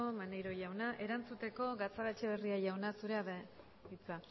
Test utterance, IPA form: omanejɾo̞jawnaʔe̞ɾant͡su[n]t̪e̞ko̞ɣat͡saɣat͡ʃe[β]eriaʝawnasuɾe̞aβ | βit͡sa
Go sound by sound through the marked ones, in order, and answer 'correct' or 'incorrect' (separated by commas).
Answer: incorrect, correct